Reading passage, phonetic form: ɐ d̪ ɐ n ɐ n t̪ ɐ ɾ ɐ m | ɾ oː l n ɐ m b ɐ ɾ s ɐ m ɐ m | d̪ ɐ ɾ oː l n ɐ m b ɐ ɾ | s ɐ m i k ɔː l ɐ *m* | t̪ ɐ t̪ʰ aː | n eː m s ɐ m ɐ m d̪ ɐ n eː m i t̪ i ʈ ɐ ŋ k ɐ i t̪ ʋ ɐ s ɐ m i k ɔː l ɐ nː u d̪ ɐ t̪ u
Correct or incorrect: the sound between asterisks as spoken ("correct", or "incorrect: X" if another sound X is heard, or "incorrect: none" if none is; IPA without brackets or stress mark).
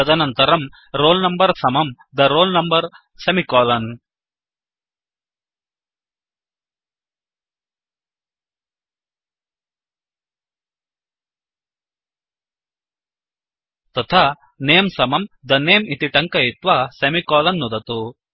incorrect: n